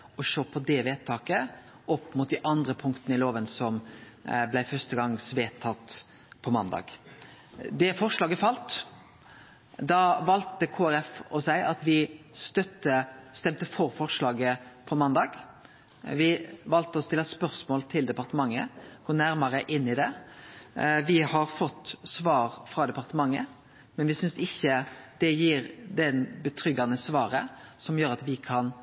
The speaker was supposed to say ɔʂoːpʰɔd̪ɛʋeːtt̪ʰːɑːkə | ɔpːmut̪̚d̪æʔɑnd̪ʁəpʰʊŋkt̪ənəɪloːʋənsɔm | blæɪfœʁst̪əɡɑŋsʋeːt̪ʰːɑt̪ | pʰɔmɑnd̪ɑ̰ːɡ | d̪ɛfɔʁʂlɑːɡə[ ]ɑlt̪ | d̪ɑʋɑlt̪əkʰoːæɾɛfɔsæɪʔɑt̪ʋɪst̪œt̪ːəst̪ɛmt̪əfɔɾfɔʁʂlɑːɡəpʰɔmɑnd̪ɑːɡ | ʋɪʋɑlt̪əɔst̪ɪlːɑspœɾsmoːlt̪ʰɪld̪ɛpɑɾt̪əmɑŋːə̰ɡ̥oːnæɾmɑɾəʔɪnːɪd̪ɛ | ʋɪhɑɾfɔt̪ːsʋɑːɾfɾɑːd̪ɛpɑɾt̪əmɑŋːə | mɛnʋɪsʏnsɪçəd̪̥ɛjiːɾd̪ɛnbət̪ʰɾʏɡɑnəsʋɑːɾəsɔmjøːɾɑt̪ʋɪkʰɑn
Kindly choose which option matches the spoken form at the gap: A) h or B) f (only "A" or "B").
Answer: B